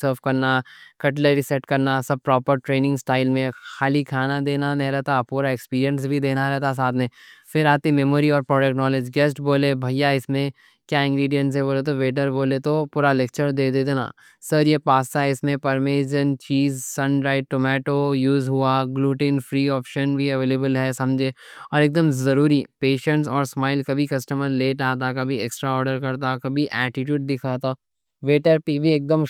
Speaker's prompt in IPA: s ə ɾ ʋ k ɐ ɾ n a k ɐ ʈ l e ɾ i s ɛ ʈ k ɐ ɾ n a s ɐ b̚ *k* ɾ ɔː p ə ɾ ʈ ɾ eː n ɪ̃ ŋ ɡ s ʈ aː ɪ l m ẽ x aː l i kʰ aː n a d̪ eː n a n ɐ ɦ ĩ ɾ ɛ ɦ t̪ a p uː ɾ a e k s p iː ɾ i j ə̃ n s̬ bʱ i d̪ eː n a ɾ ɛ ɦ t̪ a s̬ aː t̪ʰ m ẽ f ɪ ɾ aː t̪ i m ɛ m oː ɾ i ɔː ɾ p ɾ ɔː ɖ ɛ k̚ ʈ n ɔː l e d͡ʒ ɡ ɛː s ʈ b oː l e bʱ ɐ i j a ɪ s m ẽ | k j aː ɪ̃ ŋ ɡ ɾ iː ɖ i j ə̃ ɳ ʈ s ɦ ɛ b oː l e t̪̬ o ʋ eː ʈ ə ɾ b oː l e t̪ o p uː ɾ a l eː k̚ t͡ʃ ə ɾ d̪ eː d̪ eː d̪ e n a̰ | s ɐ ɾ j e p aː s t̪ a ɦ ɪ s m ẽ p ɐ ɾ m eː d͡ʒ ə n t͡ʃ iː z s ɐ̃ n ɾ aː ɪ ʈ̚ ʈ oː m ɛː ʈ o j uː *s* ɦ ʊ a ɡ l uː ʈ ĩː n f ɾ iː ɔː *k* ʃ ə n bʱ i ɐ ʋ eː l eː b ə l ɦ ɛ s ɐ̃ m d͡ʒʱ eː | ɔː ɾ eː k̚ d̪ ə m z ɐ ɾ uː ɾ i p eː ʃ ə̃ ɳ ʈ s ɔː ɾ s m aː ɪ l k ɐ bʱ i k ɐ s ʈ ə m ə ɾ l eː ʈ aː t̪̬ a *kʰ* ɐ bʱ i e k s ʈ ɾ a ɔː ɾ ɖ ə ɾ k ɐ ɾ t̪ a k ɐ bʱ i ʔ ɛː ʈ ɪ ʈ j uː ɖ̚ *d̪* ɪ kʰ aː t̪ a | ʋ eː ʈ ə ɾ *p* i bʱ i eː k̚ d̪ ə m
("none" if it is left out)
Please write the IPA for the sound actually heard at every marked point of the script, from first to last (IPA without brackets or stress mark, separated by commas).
p, z, p, k, d̪, p